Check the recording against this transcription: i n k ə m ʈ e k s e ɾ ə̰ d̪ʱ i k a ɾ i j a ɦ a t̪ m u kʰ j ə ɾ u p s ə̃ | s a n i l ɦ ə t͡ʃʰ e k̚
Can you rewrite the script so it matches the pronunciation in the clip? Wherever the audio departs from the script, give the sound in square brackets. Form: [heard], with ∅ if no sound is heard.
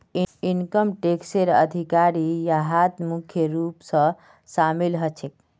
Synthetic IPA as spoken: i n k ə m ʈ e k s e ɾ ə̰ d̪ʱ i k a ɾ i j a ɦ a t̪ m u kʰ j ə ɾ u p s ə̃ | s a [m] i l ɦ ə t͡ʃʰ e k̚